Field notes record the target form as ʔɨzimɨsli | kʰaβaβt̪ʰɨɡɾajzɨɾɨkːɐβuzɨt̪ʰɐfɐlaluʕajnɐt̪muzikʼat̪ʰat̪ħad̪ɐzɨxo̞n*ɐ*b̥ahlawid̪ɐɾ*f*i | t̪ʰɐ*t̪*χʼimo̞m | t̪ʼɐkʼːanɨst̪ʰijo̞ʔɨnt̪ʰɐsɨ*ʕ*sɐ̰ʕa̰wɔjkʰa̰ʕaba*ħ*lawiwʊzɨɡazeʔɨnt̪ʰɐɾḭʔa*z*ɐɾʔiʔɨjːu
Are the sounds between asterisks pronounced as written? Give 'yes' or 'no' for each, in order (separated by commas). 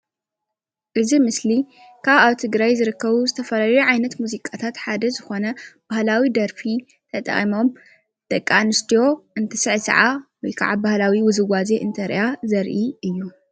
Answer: yes, yes, no, yes, no, yes